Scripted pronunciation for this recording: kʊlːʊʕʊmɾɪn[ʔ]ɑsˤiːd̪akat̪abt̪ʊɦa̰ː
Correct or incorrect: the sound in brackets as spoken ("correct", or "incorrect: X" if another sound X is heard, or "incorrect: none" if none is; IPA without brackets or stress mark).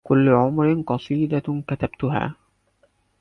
incorrect: q